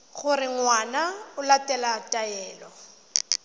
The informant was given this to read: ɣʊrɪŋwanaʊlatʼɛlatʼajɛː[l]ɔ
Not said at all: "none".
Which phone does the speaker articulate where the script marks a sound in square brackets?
l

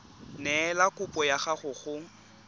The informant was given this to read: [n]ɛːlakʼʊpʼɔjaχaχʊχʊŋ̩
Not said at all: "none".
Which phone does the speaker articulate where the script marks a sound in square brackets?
n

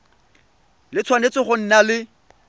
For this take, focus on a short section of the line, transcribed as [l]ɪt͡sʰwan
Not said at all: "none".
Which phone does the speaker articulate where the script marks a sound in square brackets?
l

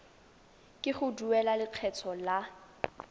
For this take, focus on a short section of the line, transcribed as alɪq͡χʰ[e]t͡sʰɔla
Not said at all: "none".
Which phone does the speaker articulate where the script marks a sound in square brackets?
ɛ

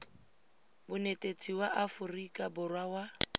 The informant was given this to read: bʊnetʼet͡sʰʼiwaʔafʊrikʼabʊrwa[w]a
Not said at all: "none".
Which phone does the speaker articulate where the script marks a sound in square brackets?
w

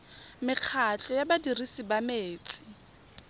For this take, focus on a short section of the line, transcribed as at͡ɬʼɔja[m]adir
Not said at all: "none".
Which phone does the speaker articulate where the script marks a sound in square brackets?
b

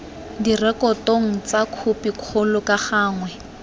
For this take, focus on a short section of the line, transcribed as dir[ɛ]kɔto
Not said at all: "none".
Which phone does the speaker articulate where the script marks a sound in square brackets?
ɛ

